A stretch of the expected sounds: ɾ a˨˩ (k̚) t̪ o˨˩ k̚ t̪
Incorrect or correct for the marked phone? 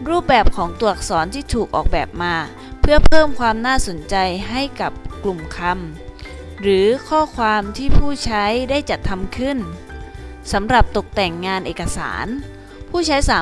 incorrect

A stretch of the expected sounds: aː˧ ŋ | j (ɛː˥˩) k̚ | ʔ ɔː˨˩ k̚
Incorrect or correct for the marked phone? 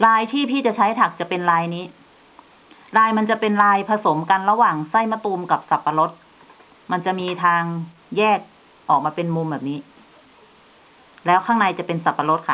correct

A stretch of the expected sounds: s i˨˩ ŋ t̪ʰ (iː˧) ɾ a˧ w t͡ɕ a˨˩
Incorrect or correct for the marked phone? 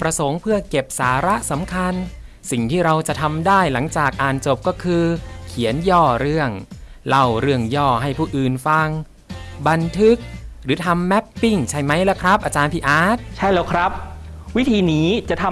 incorrect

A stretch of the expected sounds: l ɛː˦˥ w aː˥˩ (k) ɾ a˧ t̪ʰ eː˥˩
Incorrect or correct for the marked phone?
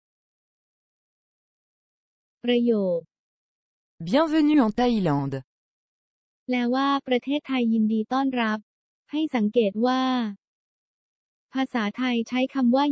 incorrect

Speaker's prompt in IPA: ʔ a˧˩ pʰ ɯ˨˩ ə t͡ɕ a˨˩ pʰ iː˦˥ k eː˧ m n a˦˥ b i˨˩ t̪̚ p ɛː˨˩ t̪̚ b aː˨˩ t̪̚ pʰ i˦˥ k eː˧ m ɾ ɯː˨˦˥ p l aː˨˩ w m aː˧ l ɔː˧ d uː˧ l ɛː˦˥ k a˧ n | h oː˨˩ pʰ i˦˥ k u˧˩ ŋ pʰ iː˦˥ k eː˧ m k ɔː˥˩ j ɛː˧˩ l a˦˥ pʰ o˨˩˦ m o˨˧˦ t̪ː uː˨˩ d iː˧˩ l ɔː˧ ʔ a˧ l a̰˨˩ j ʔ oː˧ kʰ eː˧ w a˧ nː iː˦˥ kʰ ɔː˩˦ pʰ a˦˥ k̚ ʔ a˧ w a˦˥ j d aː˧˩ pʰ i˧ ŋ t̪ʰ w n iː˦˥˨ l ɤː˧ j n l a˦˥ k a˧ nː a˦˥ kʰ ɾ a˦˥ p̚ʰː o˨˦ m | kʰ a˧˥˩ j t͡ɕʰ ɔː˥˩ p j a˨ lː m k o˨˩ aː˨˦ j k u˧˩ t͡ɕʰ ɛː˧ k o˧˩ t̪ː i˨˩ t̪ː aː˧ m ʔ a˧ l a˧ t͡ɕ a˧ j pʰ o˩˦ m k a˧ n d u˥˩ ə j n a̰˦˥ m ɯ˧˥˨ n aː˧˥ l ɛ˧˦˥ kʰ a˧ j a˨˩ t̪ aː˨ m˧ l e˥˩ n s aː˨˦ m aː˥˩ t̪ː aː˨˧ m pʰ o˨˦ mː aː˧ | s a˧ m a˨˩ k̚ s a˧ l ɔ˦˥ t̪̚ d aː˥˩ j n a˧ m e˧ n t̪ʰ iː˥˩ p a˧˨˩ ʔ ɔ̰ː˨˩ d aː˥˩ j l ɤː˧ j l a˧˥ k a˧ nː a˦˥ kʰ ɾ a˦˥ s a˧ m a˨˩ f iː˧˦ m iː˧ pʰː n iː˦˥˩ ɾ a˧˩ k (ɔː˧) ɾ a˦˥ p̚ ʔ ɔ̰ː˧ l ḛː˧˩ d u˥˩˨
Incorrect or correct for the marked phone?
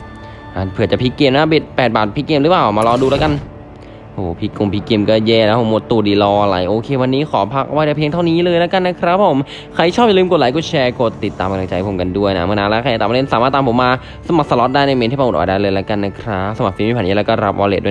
incorrect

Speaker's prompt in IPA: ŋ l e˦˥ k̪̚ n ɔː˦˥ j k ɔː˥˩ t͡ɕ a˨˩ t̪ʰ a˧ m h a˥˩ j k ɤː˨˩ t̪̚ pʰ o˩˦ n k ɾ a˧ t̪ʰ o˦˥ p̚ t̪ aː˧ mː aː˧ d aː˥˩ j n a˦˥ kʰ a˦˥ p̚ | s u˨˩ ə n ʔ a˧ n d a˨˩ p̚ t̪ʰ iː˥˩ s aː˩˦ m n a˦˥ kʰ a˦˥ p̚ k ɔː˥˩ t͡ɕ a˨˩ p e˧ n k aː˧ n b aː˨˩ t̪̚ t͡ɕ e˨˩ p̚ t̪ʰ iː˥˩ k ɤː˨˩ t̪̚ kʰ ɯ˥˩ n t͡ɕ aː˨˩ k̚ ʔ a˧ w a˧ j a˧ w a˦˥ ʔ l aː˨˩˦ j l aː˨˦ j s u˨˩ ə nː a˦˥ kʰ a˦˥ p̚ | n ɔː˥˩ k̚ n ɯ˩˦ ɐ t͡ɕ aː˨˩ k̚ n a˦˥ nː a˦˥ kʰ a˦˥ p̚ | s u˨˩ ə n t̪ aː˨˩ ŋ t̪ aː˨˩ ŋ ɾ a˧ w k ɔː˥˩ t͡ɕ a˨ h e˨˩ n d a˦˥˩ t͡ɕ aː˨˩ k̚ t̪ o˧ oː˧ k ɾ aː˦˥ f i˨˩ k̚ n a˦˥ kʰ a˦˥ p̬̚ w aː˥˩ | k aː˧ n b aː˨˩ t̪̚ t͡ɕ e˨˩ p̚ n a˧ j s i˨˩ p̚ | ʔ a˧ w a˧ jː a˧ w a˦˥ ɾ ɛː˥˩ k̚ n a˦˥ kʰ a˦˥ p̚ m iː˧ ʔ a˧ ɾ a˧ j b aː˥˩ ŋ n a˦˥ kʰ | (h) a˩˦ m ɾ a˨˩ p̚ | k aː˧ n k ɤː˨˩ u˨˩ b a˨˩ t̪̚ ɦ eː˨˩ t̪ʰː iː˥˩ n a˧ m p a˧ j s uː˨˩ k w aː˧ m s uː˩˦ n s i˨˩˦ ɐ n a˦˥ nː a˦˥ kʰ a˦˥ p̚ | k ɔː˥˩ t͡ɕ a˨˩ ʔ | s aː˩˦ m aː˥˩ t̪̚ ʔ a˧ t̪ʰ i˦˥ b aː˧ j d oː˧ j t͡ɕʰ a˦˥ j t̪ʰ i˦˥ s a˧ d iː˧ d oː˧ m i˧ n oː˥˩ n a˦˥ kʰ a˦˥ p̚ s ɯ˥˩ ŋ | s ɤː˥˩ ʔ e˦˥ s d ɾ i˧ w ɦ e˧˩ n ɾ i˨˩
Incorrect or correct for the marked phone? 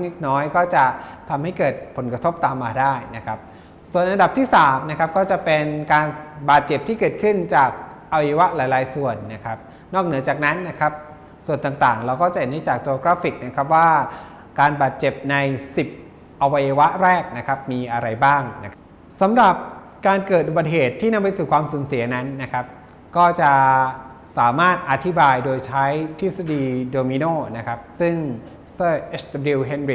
incorrect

